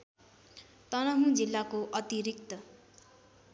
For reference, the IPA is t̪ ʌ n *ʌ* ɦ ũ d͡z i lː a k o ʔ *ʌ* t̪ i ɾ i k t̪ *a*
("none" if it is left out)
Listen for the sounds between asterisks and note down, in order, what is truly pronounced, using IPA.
ʌ, ʌ, ʌ

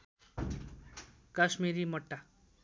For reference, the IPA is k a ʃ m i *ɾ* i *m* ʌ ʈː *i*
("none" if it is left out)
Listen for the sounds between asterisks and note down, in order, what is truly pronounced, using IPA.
ɾ, m, a

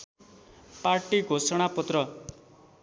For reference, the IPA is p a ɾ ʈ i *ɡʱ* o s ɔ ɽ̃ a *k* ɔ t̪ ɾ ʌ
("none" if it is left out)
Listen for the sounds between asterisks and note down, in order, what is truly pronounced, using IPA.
ɡʱ, p

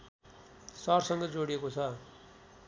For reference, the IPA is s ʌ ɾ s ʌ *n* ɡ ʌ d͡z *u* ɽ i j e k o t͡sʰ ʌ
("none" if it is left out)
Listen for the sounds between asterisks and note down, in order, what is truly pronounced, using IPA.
ŋ, o

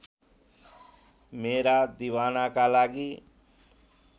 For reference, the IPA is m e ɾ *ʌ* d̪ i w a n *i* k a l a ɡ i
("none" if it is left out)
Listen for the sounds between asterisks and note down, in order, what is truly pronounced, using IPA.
a, a

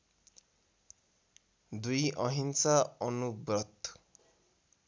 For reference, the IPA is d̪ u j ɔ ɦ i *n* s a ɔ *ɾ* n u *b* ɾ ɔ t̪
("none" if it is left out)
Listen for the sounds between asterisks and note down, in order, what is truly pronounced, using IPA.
n, none, b

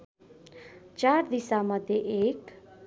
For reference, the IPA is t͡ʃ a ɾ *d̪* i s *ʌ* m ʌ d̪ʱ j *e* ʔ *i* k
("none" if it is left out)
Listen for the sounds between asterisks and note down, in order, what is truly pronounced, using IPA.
d̪, a, e, e

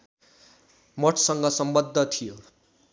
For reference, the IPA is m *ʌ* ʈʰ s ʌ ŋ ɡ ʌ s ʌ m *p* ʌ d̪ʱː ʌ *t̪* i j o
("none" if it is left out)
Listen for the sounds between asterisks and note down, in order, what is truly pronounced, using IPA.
ʌ, b, t̪ʰ

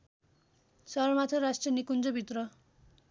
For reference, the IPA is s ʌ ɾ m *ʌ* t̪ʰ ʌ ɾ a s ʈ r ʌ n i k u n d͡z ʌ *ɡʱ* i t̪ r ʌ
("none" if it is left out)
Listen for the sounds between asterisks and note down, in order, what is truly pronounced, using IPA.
a, bʱ

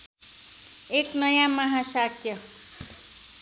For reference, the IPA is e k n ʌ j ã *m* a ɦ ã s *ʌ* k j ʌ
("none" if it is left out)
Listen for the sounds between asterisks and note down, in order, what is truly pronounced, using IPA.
m, a

